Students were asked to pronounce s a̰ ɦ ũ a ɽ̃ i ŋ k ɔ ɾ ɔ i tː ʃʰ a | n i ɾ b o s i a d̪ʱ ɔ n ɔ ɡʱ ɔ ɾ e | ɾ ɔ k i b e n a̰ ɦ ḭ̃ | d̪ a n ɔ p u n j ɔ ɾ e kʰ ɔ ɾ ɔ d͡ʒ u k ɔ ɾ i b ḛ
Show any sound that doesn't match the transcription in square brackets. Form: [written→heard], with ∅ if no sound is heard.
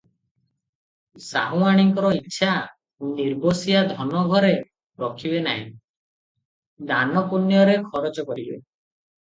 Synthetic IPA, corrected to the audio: s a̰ ɦ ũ a ɽ̃ i ŋ k ɔ ɾ ɔ i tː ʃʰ a | n i ɾ b o s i a d̪ʱ ɔ n ɔ ɡʱ ɔ ɾ e | ɾ ɔ [k→kʰ] i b e n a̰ ɦ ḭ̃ | d̪ a n ɔ p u n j ɔ ɾ e kʰ ɔ ɾ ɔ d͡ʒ [u→ɔ] k ɔ ɾ i b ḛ